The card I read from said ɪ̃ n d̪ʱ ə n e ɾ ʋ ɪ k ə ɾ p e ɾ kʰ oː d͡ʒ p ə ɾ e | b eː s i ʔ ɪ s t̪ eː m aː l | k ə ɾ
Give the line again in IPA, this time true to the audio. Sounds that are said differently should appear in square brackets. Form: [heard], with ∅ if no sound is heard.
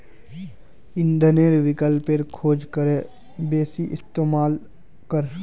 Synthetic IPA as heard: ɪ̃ n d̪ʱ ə n e ɾ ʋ ɪ k ə [l] p e ɾ kʰ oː d͡ʒ [k] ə ɾ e | b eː s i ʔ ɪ s t̪ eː m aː l | k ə ɾ